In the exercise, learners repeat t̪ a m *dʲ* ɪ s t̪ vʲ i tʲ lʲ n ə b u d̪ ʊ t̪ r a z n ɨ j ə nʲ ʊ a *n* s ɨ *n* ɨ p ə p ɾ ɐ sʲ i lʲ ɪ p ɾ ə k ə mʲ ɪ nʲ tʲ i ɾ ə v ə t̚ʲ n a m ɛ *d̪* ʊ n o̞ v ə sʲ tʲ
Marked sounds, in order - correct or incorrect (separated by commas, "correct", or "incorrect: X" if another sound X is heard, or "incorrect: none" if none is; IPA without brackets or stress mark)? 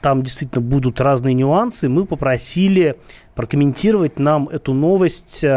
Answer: correct, correct, incorrect: m, incorrect: t̪